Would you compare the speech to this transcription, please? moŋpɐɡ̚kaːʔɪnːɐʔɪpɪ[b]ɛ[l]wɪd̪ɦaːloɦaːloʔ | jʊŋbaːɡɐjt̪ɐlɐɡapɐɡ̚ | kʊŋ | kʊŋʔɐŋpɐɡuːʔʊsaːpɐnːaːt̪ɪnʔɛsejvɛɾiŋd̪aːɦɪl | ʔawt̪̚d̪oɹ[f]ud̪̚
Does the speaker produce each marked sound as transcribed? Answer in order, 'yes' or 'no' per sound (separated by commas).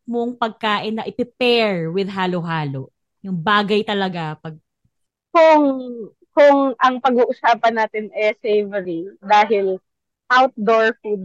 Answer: no, no, yes